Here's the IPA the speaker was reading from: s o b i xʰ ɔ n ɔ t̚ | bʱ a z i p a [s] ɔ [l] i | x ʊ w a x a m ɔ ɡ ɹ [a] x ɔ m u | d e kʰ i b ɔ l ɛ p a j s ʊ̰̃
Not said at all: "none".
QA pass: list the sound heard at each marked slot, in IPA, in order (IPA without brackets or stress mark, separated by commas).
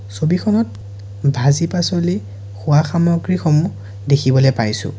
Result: s, l, i